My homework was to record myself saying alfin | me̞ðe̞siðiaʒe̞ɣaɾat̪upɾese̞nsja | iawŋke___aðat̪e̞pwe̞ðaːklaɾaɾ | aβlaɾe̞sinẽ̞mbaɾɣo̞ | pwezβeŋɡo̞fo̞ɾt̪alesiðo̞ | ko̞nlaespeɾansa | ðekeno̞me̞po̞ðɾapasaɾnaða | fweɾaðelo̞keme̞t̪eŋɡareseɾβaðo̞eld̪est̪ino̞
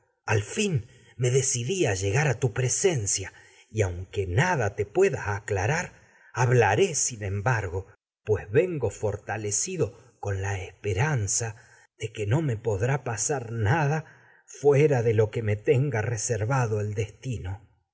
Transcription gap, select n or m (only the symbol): n